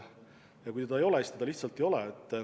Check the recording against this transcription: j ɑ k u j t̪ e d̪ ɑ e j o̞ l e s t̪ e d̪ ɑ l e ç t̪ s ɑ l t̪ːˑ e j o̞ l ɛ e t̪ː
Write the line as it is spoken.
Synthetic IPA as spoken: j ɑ k u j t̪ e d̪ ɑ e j o̞ l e s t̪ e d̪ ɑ l i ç t̪ s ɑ l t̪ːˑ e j o̞ l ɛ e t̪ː